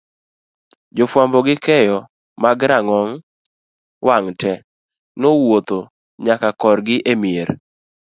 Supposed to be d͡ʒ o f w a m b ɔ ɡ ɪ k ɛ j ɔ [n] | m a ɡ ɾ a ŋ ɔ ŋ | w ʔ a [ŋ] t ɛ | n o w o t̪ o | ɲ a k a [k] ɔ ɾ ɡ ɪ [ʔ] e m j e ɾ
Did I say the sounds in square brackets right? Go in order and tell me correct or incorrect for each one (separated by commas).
incorrect, correct, correct, correct